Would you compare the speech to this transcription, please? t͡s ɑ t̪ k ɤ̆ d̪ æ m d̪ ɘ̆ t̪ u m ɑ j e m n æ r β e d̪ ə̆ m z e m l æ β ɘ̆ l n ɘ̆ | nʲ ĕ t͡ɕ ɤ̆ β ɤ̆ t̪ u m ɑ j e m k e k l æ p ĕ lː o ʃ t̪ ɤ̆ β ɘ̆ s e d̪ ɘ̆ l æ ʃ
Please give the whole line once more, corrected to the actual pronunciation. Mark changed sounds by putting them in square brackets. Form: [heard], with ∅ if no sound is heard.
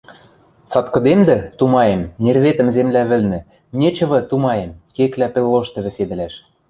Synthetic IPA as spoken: t͡s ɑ t̪ k ɤ̆ d̪ [e] m d̪ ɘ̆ t̪ u m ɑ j e m n [e] r β e [t̪] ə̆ m z e m l æ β ɘ̆ l n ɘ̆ | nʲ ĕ t͡ɕ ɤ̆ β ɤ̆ t̪ u m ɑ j e m k e k l æ p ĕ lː o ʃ t̪ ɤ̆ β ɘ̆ s e d̪ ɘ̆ l æ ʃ